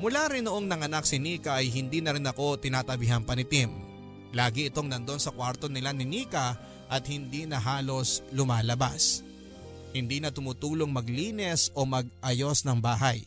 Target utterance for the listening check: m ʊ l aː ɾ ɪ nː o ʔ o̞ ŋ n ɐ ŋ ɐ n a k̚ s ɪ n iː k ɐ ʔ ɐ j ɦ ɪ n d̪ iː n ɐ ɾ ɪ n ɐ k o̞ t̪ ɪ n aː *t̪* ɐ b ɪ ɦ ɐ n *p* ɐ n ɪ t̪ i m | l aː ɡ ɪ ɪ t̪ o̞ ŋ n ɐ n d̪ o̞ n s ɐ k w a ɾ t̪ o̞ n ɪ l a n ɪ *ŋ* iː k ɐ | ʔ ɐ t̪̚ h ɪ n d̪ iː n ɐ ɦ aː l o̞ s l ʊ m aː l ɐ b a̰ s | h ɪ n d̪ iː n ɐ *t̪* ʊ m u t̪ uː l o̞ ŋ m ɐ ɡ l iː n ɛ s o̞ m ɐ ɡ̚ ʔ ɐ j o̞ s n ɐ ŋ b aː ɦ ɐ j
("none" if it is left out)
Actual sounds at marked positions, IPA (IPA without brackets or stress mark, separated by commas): t̪, p, n, t̪